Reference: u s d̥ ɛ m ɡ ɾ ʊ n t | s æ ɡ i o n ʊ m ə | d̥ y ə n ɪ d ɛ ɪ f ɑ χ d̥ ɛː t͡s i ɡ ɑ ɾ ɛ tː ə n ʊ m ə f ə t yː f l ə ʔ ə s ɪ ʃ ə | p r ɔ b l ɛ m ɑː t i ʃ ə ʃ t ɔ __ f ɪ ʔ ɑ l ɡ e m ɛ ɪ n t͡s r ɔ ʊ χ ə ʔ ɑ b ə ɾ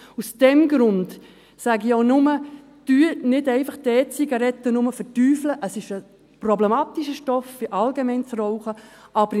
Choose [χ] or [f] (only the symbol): f